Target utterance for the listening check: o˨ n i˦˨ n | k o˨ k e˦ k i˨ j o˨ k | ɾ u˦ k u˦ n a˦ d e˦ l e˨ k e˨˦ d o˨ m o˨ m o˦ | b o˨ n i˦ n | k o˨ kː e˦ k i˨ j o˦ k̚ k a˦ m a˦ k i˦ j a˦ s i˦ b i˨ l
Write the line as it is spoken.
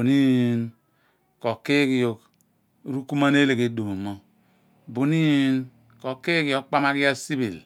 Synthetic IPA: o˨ n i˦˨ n | k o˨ k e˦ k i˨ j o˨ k | ɾ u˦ k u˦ m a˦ n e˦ l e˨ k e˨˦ d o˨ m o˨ m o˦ | b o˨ n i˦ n | k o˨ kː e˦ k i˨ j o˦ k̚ k͡p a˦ m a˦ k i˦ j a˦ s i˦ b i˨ l

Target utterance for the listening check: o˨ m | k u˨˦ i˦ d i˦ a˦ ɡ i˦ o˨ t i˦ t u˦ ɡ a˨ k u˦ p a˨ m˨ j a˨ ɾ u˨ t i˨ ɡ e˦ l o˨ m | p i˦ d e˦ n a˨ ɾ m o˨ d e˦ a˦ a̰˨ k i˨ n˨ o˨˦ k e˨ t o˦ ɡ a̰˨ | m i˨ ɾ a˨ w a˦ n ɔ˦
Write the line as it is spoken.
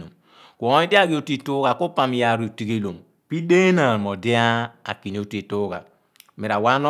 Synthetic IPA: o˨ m | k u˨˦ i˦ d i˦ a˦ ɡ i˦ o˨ t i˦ t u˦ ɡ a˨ k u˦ p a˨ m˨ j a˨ ɾ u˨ t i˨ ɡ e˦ l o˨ m | p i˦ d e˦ n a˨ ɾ m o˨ d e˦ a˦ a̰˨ k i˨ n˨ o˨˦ t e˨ t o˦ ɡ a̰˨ | m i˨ ɾ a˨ w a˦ n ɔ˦

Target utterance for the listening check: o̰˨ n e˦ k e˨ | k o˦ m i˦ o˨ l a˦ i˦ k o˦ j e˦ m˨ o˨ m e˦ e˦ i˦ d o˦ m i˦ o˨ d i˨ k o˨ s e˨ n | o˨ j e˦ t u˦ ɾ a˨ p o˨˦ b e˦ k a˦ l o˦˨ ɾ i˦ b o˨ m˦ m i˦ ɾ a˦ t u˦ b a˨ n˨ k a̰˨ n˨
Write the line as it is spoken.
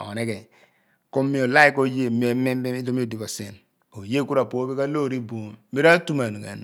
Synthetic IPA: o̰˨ n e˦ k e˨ | k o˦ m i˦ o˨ l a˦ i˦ k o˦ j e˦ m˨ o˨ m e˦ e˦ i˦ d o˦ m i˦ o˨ d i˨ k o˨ s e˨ n | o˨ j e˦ k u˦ ɾ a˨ p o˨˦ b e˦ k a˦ l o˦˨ ɾ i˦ b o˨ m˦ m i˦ ɾ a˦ t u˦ m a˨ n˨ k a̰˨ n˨

